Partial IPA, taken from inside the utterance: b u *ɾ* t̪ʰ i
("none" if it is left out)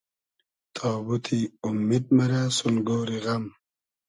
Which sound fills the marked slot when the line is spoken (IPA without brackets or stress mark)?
none